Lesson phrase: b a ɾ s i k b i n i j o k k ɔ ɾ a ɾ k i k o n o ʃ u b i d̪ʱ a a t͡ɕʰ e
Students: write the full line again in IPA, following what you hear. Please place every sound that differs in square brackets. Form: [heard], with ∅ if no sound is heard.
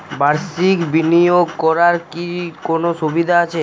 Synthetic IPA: b a ɾ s i k b i n i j o [ɡ] k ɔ ɾ a ɾ k i k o n o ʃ u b i d̪ʱ a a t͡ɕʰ e